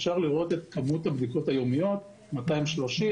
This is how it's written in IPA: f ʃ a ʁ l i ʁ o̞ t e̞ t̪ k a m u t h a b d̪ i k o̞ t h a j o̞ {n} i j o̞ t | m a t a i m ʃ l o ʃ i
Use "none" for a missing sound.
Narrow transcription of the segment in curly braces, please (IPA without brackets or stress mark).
m